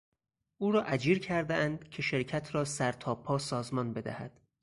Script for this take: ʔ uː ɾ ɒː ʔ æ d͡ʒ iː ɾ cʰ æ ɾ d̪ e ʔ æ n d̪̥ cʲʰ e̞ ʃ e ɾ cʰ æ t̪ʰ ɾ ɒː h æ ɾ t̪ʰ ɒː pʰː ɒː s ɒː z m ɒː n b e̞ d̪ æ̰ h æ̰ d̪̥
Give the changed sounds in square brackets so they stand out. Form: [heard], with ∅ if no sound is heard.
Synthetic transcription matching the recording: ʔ uː ɾ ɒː ʔ æ d͡ʒ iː ɾ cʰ æ ɾ d̪ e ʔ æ n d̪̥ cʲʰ e̞ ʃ e ɾ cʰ æ t̪ʰ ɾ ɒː [s] æ ɾ t̪ʰ ɒː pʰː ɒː s ɒː z m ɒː n b e̞ d̪ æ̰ h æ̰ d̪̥